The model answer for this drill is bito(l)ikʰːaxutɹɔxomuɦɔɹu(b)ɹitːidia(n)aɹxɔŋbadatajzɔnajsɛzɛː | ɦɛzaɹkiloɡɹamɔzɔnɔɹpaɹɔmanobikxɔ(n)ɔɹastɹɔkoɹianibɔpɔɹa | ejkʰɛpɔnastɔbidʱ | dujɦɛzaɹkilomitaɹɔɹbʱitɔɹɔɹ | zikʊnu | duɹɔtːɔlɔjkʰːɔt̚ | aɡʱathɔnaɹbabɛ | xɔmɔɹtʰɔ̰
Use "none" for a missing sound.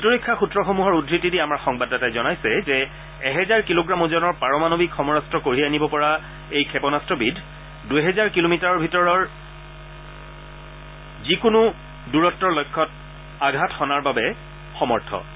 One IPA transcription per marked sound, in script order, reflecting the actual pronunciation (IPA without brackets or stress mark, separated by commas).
ɹ, d, m, m